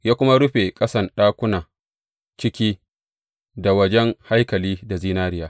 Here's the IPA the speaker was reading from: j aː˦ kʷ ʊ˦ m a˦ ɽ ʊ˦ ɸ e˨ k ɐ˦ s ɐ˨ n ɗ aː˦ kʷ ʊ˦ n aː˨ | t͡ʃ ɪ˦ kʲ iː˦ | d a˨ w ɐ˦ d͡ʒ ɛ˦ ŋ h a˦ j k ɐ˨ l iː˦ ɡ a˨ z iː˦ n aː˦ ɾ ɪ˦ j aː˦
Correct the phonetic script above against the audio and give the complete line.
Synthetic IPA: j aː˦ kʷ ʊ˦ m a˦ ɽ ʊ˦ ɸ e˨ kʼ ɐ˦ s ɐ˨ n ɗ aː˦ kʷ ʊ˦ n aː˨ | t͡ʃ ɪ˦ kʲ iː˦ | d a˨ w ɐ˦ d͡ʒ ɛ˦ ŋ h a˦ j k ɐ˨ l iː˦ d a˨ z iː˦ n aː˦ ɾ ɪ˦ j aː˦

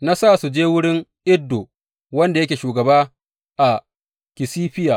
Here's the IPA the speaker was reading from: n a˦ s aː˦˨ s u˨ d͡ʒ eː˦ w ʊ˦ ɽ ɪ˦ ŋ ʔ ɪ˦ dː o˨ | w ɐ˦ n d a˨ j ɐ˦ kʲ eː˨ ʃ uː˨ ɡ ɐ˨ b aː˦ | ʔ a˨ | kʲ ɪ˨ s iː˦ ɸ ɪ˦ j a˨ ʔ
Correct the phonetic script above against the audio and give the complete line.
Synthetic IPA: n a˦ s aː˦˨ s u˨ d͡ʒ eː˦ w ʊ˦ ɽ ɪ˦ ŋ ʔ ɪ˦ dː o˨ | w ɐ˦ n d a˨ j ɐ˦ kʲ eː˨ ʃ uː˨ ɡ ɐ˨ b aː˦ | ʔ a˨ | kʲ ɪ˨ s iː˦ ɸ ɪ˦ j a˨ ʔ

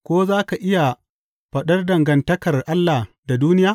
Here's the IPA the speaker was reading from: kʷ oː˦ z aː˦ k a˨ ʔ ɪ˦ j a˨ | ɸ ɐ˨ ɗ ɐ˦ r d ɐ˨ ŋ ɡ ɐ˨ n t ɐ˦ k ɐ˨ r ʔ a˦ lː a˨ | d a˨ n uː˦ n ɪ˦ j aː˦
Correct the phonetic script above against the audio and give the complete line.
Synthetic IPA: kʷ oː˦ z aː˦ k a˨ ʔ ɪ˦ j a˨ | ɸ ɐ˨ ɗ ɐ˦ r d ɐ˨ ŋ ɡ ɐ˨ n t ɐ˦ k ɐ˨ r ʔ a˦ lː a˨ | d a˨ d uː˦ n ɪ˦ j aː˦

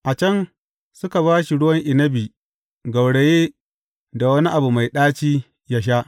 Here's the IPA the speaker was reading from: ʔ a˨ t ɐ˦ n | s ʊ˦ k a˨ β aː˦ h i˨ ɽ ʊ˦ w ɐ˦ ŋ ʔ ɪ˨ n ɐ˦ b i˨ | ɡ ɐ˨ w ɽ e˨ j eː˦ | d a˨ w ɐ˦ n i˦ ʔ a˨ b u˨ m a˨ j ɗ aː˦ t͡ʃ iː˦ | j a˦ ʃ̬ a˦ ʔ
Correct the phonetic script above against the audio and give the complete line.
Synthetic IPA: ʔ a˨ t͡ʃ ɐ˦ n | s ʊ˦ k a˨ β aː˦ ʃ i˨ ɽ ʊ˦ w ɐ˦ ŋ ʔ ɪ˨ n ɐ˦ b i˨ | ɡ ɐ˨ w ɽ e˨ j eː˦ | d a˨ w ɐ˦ n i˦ ʔ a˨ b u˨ m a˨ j ɗ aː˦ t͡ʃ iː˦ | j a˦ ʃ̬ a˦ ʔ

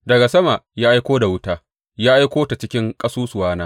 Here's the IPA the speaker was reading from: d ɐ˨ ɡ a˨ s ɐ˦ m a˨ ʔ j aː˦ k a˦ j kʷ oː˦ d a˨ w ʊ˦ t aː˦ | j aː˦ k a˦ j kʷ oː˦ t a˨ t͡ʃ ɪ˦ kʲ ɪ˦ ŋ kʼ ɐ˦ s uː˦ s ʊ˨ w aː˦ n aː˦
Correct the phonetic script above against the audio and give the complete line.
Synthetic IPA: d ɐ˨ ɡ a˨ s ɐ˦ m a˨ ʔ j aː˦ ʔ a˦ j kʷ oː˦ d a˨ w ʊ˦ t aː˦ | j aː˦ ʔ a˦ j kʷ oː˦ t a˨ t͡ʃ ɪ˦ kʲ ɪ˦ ŋ kʼ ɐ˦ s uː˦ s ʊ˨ w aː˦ n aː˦

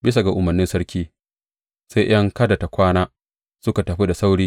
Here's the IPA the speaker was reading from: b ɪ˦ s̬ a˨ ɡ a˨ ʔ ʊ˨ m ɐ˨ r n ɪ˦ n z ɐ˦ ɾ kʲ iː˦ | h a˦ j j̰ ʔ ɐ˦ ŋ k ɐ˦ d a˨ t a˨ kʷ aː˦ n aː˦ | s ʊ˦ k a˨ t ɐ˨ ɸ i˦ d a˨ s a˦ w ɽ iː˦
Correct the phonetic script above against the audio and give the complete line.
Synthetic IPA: b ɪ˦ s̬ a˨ ɡ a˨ ʔ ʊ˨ m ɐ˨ r n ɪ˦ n s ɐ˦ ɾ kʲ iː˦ | s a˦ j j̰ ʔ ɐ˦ ŋ k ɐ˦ d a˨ t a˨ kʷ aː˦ n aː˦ | s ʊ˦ k a˨ t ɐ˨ ɸ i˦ d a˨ s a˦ w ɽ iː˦

